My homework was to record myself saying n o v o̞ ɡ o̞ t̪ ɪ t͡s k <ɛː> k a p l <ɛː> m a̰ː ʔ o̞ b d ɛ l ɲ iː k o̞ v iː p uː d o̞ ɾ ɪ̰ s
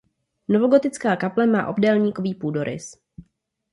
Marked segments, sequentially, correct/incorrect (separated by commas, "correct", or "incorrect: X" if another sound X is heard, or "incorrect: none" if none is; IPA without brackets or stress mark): incorrect: aː, incorrect: ɛ